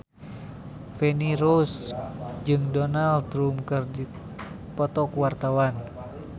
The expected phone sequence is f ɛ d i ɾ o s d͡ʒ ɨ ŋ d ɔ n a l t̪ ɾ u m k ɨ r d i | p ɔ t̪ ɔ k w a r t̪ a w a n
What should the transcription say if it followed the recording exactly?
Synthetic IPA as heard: f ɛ n i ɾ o s d͡ʒ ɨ ŋ d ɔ n a l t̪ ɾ u m k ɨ r d i | p ɔ t̪ ɔ k w a r t̪ a w a n